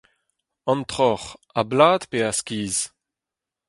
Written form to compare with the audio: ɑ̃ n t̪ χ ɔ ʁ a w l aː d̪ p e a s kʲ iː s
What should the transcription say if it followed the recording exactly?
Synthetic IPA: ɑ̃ n t̪ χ ɔ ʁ a b l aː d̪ p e a s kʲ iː z